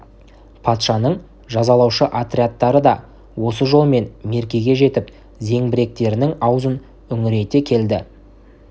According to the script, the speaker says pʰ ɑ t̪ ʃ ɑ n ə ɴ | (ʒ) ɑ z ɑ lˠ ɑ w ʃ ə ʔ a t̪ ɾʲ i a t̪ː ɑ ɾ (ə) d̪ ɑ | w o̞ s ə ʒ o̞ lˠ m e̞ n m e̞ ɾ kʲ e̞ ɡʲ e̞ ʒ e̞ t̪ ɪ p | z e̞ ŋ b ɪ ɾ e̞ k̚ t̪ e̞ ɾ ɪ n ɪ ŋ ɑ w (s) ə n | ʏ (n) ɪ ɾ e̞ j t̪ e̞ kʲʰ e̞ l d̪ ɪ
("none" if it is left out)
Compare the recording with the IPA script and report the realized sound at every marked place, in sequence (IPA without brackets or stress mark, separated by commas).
ʒ, ə, z, ŋ